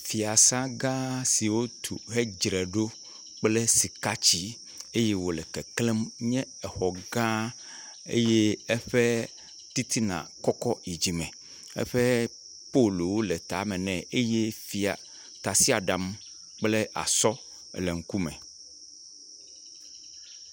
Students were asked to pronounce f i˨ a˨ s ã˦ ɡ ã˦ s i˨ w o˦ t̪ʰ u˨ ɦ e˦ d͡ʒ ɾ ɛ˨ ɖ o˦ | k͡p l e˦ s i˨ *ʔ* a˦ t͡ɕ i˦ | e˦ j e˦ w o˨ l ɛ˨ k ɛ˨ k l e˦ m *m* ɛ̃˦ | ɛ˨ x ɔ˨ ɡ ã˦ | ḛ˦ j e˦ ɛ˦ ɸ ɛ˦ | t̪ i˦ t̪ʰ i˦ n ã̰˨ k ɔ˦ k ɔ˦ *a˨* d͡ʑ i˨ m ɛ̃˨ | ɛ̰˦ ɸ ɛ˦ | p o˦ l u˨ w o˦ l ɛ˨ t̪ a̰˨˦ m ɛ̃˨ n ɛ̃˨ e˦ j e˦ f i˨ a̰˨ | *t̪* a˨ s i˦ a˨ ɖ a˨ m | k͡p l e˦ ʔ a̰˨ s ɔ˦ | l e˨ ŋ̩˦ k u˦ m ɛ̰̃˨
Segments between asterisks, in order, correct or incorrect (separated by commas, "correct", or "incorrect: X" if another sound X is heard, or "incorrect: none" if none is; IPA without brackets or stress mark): incorrect: k, incorrect: ɲ, incorrect: i˨, correct